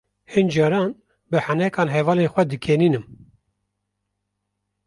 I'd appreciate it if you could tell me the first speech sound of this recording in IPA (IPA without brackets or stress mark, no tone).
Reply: h